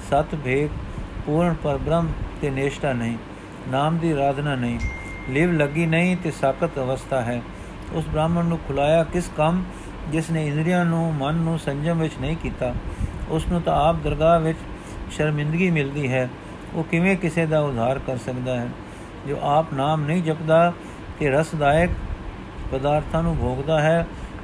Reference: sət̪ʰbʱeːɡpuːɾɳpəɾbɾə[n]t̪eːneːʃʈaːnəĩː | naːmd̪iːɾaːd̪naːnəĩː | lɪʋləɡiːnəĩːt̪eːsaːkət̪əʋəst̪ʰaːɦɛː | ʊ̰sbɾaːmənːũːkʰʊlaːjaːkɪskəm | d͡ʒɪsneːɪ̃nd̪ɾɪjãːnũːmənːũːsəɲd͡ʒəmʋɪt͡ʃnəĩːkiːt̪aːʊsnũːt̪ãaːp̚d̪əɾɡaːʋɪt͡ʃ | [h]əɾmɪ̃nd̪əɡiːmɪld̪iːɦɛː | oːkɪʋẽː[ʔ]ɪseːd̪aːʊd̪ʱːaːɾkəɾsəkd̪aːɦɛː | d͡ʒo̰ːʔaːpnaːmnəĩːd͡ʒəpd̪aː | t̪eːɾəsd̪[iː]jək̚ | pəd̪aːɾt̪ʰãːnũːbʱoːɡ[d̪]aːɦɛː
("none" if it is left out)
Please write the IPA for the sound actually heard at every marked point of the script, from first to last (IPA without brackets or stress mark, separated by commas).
m, ʃ, k, aː, d̪